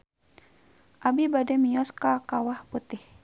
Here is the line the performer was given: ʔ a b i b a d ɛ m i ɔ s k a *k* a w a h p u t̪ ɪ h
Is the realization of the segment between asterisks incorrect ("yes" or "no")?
no